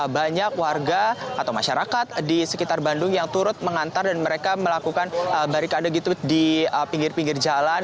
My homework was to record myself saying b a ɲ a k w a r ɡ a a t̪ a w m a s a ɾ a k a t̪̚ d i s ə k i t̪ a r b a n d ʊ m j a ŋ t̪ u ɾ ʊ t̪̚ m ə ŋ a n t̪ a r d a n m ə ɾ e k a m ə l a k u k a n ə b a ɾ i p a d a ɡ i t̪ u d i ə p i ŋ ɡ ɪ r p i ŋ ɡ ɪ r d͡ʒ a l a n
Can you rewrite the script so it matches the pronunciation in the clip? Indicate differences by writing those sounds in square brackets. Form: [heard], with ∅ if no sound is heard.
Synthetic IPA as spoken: b a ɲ a k w a r ɡ a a t̪ a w m a [ʃ] a ɾ a k a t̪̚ d i s ə k i t̪ a r b a n d ʊ [ŋ] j a ŋ t̪ u ɾ ʊ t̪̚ m ə ŋ a n t̪ a r d a n m ə ɾ e k a m ə l a k u k a n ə b a ɾ i [k] a d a ɡ i t̪ u d i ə p i ŋ ɡ ɪ r p i ŋ ɡ ɪ r d͡ʒ a l a n